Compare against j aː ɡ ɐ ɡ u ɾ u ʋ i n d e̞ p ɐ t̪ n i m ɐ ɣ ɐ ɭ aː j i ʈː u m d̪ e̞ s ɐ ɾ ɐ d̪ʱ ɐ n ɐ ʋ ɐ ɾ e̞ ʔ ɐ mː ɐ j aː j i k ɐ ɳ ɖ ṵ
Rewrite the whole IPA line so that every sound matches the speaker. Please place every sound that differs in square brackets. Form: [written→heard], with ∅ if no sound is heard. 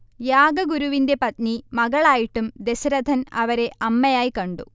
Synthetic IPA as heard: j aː ɡ ɐ ɡ u ɾ u ʋ i n d e̞ p ɐ t̪ n i m ɐ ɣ ɐ ɭ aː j i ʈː u m d̪ e̞ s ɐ ɾ ɐ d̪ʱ ɐ n ɐ ʋ ɐ ɾ e̞ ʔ ɐ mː ɐ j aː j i k ɐ ɳ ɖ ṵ